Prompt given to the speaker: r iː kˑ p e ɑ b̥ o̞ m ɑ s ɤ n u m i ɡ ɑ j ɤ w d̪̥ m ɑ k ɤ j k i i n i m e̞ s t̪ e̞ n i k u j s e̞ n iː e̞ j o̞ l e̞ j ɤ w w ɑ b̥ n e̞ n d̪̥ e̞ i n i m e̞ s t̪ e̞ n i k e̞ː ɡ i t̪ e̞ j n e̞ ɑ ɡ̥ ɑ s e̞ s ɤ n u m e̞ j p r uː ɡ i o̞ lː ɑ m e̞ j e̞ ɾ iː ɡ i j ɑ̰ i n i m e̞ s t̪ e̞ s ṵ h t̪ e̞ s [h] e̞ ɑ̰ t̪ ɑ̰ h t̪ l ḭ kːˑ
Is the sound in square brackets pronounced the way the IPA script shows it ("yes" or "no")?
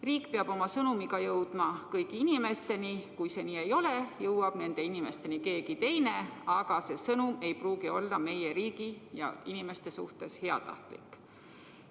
yes